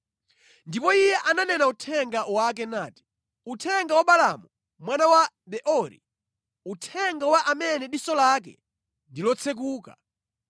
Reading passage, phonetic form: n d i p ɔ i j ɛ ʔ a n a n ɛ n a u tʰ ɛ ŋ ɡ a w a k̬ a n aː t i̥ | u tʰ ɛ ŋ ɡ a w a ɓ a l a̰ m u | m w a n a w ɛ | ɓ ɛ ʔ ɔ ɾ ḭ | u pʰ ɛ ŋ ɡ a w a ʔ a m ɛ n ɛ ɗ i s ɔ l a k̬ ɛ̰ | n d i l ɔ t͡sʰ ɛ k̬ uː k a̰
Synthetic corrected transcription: n d i p ɔ i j ɛ ʔ a n a n ɛ n a u tʰ ɛ ŋ ɡ a w a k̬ ɛ n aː t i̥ | u tʰ ɛ ŋ ɡ a w a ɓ a l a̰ m u | m w a n a w a | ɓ ɛ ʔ ɔ ɾ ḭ | u tʰ ɛ ŋ ɡ a w a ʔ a m ɛ n ɛ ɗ i s ɔ l a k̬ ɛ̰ | n d i l ɔ t͡sʰ ɛ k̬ uː k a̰